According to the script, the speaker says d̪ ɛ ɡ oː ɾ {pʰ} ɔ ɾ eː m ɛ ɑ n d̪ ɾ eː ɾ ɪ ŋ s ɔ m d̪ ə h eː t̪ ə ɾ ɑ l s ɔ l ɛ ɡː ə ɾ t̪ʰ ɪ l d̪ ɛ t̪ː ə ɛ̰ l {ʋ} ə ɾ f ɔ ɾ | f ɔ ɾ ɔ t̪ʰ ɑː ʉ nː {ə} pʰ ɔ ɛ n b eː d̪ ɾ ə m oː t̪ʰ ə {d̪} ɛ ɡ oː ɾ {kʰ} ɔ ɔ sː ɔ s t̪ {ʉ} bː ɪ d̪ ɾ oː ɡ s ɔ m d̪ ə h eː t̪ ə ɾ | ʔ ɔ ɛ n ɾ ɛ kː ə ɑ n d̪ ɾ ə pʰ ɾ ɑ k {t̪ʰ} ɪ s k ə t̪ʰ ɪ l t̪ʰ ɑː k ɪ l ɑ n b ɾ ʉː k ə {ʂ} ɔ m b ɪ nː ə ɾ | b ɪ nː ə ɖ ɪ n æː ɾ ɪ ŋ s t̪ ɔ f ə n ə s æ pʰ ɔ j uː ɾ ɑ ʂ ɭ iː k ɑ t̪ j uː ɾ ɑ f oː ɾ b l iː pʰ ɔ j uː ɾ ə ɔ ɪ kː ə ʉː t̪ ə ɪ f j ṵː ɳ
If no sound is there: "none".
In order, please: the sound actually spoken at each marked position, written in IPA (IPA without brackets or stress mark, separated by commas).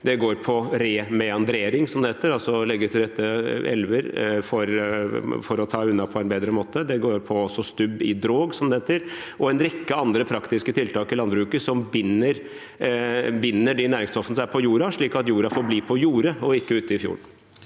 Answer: pʰ, ʋ, ɑ, d̪, pʰ, ʉ, t̪, s